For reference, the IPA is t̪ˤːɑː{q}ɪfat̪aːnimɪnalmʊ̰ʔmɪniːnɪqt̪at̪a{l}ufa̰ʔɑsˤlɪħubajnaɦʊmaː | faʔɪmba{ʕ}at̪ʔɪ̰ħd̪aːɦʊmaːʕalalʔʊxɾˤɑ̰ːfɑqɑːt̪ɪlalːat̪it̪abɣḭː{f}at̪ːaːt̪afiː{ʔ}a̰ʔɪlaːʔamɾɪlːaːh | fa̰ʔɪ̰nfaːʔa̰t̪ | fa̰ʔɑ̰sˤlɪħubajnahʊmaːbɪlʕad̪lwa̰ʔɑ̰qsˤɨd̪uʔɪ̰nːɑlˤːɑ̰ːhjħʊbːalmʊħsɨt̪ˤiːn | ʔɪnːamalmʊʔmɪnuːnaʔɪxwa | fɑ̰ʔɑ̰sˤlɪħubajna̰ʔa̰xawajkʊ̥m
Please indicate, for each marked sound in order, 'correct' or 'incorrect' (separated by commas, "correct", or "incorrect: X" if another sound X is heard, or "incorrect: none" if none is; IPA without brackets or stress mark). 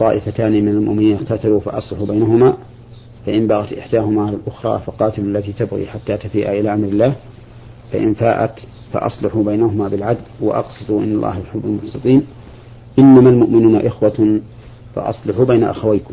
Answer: incorrect: ʔ, correct, incorrect: ɣ, incorrect: ħ, correct